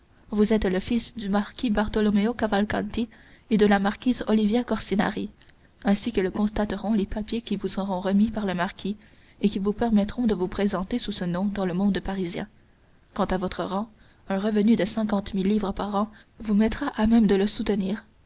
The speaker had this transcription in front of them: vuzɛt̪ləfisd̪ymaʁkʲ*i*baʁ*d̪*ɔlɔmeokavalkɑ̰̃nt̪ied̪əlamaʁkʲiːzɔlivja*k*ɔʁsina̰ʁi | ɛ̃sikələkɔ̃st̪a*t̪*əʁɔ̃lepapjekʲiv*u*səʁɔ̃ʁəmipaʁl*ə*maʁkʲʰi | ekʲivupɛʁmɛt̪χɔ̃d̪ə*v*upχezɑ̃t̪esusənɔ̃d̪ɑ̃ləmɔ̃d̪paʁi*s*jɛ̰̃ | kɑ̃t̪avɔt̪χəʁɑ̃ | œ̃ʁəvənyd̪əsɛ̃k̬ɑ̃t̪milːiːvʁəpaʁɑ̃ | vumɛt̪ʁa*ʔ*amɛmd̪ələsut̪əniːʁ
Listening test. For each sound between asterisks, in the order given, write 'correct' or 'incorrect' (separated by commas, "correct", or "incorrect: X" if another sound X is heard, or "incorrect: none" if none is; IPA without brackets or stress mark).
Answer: correct, incorrect: t̪, correct, correct, correct, correct, correct, incorrect: z, correct